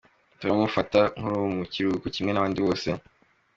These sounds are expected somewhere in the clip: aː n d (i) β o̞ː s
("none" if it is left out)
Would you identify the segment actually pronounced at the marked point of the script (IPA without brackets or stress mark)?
i